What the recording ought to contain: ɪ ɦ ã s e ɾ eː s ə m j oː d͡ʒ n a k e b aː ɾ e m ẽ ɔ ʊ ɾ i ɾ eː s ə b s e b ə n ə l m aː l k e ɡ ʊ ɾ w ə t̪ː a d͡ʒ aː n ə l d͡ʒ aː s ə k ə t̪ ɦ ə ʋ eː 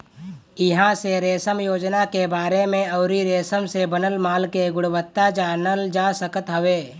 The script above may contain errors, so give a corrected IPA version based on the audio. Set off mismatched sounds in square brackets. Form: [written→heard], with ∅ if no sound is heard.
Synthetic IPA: ɪ ɦ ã s e ɾ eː s ə m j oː d͡ʒ n a k e b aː ɾ e m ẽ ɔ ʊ ɾ i ɾ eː s ə [b→m] s e b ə n ə l m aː l k e ɡ ʊ [ɾ→ɽ] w ə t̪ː a d͡ʒ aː n ə l d͡ʒ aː s ə k ə t̪ ɦ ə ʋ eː